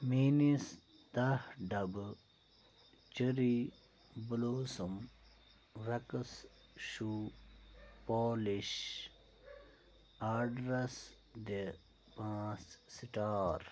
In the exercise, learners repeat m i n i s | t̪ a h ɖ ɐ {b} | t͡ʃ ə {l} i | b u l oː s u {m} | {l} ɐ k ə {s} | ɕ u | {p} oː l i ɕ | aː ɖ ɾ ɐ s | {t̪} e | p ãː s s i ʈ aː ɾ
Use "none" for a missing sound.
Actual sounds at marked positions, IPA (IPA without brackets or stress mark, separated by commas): b, ɾ, m, ɾ, s, p, d̪